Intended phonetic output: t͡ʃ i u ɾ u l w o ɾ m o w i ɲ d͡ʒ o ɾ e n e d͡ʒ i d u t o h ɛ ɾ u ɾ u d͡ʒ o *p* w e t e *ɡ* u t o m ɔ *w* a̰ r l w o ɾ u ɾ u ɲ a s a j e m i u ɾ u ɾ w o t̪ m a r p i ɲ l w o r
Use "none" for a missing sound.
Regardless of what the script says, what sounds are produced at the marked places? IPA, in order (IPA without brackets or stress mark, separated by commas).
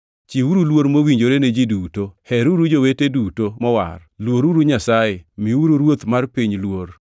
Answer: none, d, w